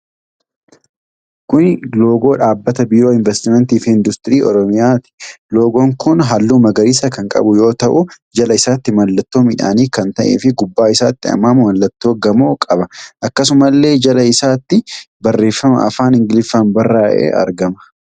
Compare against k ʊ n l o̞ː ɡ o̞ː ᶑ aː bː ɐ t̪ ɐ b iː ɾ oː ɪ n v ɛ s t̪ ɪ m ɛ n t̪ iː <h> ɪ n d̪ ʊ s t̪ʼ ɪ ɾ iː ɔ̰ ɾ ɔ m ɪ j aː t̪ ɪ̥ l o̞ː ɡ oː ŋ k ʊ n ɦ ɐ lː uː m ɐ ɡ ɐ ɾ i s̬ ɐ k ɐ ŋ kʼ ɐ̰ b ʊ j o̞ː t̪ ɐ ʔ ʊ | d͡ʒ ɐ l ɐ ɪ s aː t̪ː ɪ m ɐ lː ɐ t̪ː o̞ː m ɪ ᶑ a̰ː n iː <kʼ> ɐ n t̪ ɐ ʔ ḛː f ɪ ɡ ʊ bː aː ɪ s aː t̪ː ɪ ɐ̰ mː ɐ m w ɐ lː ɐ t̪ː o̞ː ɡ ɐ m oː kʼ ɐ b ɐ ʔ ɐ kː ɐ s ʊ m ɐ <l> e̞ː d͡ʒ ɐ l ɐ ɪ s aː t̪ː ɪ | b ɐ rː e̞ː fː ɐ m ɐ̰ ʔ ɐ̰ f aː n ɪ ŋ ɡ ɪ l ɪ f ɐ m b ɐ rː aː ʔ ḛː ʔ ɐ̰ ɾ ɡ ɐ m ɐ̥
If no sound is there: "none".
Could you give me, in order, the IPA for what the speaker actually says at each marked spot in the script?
f, k, lː

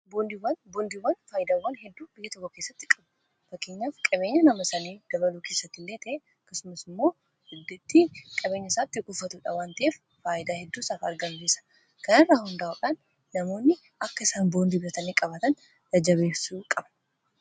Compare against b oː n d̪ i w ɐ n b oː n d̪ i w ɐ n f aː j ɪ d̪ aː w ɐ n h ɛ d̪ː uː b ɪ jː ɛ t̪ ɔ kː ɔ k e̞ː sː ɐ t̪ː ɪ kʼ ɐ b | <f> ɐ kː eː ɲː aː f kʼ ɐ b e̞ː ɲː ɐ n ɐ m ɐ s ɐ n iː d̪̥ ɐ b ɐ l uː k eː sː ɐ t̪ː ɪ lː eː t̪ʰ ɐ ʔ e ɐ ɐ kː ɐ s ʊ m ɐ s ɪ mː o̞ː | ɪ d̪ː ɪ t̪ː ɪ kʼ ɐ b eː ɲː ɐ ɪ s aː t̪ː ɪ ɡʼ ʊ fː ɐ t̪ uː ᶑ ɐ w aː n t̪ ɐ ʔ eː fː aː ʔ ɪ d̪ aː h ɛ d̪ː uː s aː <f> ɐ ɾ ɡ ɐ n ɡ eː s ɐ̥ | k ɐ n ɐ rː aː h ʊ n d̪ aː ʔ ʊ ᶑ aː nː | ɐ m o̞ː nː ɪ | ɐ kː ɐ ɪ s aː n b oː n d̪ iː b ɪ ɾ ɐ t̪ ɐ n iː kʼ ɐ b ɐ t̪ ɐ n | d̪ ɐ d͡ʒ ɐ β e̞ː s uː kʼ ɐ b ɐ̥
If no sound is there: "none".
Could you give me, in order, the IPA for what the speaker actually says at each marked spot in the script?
f, f

